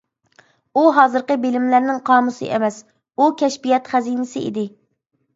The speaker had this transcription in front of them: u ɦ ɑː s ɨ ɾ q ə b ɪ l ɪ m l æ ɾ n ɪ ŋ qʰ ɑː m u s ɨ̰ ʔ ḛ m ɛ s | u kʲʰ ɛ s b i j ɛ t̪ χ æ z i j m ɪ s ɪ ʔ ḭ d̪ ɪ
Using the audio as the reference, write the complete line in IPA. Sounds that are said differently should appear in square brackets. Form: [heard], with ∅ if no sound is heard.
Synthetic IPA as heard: u ɦ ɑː [z] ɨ ɾ q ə b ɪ l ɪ m l æ ɾ n ɪ ŋ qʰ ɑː m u s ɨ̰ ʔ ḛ m ɛ s | u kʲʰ ɛ [ʃ] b i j ɛ t̪ χ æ z i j [n] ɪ s ɪ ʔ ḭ d̪ ɪ

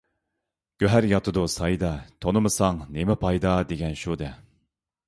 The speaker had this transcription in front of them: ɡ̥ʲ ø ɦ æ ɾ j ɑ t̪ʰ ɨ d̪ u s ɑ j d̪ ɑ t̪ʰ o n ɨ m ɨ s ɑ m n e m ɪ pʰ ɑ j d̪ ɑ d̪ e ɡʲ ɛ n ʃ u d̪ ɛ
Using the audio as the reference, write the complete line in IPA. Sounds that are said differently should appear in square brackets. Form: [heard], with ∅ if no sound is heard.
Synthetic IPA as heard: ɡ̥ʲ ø ɦ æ ɾ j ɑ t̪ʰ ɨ d̪ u s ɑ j d̪ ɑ t̪ʰ o n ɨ m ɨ s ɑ [ŋ] n e m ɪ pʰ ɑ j d̪ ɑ d̪ e ɡʲ ɛ n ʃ u d̪ ɛ

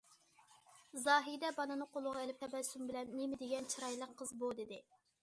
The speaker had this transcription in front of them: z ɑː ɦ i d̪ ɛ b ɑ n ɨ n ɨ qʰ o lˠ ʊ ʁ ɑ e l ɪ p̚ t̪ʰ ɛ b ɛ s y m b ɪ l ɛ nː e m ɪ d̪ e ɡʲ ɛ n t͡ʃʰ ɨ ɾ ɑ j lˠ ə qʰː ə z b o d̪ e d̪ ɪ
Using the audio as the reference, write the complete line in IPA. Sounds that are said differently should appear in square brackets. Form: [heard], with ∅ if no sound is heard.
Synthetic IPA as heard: z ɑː ɦ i d̪ ɛ b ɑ n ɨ n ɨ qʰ o lˠ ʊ ʁ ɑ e l ɪ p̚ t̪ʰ ɛ b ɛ s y m b ɪ l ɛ nː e m ɪ d̪ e ɡʲ ɛ n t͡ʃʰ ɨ ɾ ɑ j lˠ ə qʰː ə z b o d̪ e d̪ ɪ

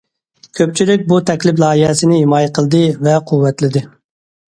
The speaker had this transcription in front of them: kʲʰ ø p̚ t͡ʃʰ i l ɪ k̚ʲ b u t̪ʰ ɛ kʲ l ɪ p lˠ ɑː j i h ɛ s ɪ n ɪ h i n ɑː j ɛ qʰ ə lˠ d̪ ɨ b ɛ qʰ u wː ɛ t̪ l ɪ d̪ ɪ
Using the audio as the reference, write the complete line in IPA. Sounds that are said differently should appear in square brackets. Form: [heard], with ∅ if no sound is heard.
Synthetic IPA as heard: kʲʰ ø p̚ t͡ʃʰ i l ɪ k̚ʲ b u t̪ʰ ɛ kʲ l ɪ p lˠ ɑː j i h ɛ s ɪ n ɪ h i [m] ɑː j ɛ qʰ ə lˠ d̪ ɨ [v] ɛ qʰ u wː ɛ t̪ l ɪ d̪ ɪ

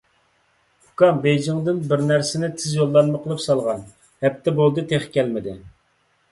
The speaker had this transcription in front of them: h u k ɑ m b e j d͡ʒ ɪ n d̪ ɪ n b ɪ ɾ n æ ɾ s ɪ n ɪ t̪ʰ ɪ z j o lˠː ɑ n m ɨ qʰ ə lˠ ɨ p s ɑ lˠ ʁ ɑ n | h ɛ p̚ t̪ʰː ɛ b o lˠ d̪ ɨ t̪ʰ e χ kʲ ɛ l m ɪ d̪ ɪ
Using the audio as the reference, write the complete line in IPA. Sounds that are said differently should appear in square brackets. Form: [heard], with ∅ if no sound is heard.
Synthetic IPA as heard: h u k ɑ m b e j d͡ʒ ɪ [ŋ] d̪ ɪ n b ɪ ɾ n æ ɾ s ɪ n ɪ t̪ʰ ɪ z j o lˠː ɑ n m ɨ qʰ ə lˠ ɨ p s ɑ lˠ ʁ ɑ n | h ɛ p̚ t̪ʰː ɛ b o lˠ d̪ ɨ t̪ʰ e χ kʲ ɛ l m ɪ d̪ ɪ

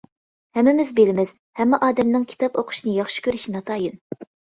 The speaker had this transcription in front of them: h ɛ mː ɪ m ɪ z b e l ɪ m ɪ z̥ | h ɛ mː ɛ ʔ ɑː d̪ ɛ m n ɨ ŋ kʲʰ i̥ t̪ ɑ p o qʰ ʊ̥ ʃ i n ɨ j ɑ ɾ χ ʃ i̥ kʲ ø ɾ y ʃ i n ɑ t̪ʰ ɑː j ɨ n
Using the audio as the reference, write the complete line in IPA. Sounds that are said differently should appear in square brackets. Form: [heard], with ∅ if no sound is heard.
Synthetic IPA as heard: h ɛ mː ɪ m ɪ z b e l ɪ m ɪ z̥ | h ɛ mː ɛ ʔ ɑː d̪ ɛ m n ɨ ŋ kʲʰ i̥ t̪ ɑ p o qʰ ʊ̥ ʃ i n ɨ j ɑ [∅] χ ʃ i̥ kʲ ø ɾ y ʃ i n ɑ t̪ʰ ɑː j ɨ n

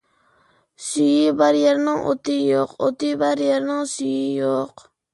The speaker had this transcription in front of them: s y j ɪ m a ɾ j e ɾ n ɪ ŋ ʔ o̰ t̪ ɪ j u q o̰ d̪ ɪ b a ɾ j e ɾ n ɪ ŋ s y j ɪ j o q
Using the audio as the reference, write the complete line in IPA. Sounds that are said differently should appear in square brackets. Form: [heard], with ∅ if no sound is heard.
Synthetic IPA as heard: s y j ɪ [b] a ɾ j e ɾ n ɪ ŋ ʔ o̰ t̪ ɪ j [o] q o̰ [t̪] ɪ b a ɾ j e ɾ n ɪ ŋ s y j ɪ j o q

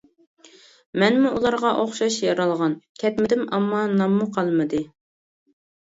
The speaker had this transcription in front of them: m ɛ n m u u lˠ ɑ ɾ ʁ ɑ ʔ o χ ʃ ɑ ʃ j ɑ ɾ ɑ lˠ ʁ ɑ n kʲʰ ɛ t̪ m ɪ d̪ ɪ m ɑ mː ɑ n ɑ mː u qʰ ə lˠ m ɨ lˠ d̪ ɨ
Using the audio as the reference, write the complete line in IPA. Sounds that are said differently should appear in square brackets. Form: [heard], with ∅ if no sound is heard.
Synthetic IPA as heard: m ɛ n m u u lˠ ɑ ɾ ʁ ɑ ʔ o χ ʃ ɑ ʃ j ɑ ɾ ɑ lˠ ʁ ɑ n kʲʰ ɛ t̪ m ɪ d̪ ɪ m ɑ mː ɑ n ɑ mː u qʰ [ɑ] lˠ m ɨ [∅] d̪ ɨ

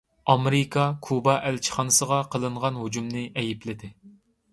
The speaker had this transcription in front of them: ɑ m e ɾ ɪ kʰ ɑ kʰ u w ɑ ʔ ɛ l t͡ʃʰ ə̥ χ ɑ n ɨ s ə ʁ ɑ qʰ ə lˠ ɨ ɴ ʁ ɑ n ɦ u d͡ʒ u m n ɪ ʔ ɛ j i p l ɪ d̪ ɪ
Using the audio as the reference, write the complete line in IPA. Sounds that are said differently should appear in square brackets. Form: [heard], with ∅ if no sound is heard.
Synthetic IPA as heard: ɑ m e ɾ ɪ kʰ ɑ kʰ u [b] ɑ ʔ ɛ l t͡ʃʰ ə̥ χ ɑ n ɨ s ə ʁ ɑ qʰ ə lˠ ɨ ɴ ʁ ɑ n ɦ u d͡ʒ u m n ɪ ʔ ɛ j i p l ɪ d̪ ɪ

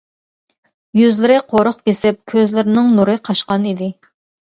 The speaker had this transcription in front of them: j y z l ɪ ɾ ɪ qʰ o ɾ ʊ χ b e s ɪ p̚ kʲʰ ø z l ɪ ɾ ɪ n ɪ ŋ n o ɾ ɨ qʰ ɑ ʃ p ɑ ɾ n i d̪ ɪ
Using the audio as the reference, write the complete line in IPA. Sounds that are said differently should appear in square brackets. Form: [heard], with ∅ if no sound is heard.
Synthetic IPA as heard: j y z l ɪ ɾ ɪ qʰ o ɾ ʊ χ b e s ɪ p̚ kʲʰ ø z l ɪ ɾ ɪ n ɪ ŋ n [u] ɾ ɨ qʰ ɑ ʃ [q] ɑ [∅] n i d̪ ɪ

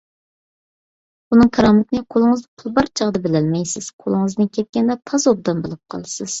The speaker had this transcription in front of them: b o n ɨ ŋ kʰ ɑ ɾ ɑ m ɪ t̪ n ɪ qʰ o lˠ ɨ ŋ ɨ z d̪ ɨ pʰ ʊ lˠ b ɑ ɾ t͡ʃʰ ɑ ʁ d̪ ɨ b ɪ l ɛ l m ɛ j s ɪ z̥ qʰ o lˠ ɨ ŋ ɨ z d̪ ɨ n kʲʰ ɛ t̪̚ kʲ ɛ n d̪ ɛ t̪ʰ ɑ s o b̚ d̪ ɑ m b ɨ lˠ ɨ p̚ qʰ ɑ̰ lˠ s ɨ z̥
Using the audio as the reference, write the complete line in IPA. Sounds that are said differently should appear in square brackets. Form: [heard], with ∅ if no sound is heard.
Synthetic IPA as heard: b [u] n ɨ ŋ kʰ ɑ ɾ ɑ m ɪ t̪ n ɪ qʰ o lˠ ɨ ŋ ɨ z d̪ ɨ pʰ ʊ lˠ b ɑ ɾ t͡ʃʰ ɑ ʁ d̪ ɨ b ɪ l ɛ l m ɛ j s ɪ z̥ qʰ o lˠ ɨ ŋ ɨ z d̪ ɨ n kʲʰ ɛ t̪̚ kʲ ɛ n d̪ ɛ t̪ʰ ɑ [z] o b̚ d̪ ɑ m b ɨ lˠ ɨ p̚ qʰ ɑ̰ lˠ s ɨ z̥

